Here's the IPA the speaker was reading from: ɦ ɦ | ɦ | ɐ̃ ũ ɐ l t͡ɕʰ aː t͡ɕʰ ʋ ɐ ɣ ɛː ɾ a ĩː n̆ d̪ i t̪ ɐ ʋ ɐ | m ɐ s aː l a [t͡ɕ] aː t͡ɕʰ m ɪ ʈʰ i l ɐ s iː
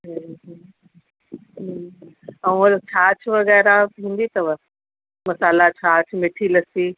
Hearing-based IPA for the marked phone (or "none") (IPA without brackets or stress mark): t͡ɕʰ